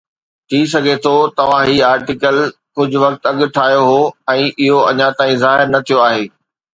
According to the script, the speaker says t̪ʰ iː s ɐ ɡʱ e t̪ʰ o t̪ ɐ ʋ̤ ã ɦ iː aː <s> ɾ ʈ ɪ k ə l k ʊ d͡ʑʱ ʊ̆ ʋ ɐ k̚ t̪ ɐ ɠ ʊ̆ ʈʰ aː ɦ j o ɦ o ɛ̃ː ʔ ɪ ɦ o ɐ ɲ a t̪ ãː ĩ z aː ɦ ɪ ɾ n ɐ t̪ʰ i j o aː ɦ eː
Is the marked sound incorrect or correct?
incorrect